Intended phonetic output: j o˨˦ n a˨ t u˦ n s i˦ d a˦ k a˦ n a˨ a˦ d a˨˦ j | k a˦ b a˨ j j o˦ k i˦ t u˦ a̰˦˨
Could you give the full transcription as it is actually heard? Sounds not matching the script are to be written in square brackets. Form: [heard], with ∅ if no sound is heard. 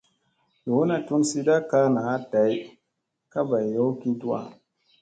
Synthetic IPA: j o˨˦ n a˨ t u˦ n s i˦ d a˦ k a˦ n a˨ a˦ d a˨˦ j | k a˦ b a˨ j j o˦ k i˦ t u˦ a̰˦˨